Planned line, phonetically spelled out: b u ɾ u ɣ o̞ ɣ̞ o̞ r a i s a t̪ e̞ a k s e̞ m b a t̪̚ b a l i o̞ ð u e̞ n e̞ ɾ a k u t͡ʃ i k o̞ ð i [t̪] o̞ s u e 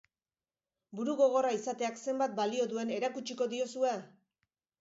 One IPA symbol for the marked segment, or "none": none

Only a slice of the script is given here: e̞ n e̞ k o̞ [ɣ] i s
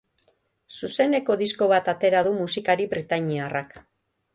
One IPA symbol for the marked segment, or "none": ð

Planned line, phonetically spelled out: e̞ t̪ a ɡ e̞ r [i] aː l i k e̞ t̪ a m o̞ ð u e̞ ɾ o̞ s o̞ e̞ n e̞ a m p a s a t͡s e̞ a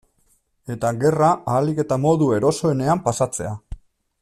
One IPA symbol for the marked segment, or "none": a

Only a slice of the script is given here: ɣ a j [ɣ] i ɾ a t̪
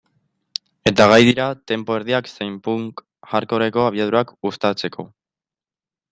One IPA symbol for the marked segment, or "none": ð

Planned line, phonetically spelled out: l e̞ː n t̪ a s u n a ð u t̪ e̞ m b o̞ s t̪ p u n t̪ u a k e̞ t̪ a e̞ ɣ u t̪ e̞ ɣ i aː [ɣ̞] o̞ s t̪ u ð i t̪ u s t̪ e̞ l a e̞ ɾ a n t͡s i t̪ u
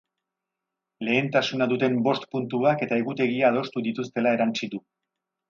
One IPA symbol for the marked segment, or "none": ð̞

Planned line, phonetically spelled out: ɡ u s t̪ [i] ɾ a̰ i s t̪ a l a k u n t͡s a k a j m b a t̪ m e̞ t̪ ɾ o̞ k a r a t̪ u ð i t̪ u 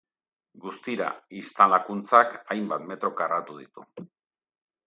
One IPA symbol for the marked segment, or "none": i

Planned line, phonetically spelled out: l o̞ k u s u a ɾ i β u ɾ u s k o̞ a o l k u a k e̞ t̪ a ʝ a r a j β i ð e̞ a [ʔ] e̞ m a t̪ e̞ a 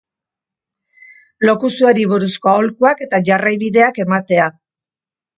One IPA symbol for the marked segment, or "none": k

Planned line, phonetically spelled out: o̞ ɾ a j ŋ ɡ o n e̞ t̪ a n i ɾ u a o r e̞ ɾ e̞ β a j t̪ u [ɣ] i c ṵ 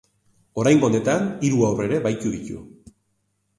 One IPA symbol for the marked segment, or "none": ð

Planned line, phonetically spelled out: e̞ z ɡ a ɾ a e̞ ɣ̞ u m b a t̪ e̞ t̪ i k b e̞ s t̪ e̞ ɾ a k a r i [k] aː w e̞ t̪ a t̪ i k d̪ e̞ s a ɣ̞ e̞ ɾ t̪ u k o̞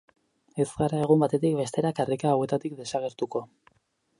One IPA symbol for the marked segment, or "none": k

